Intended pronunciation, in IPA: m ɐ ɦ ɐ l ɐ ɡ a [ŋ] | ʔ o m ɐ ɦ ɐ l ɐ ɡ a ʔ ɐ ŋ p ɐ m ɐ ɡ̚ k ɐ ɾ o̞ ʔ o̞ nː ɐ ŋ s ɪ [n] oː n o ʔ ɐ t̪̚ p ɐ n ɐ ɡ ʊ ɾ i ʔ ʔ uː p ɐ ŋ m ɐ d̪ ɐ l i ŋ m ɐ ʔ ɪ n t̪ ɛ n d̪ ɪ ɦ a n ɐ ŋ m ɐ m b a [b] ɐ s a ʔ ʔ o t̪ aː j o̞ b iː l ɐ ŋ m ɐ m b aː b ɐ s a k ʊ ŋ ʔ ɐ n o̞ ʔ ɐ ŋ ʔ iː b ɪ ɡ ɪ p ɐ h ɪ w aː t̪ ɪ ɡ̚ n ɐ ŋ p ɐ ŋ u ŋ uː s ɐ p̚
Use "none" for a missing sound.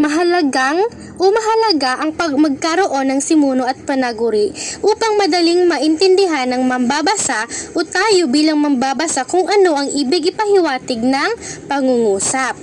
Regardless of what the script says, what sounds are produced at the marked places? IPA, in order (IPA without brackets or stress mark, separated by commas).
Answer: ŋ, m, b